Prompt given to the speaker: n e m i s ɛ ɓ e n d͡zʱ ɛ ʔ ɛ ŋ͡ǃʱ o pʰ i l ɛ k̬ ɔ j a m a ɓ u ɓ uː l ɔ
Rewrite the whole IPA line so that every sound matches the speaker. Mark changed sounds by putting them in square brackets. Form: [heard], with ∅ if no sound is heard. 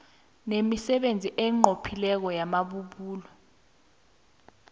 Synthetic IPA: n e m i s ɛ ɓ e n d͡zʱ [i] ʔ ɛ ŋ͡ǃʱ o pʰ i l ɛ k̬ ɔ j a m a ɓ u ɓ uː l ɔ